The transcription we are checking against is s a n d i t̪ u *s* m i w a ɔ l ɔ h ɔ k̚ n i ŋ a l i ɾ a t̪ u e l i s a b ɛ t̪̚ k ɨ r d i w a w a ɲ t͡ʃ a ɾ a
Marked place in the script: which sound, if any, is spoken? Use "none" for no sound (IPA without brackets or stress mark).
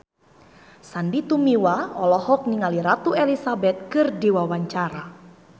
none